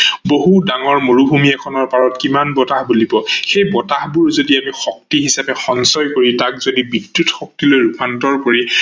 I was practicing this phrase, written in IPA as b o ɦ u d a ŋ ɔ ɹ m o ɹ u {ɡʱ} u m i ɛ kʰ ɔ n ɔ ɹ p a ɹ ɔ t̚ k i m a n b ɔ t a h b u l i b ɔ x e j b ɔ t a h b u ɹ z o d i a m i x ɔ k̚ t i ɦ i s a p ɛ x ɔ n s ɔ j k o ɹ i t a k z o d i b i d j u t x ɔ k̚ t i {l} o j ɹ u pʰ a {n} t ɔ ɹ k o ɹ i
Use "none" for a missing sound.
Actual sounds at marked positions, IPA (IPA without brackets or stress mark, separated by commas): bʱ, l, n